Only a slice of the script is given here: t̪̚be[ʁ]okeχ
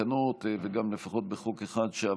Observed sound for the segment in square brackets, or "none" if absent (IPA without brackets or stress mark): χ